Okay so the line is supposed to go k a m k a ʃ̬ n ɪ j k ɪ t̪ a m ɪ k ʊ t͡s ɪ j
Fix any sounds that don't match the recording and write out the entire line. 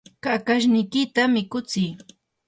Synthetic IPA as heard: k a k a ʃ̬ n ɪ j k ɪ t̪ a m ɪ k ʊ t͡s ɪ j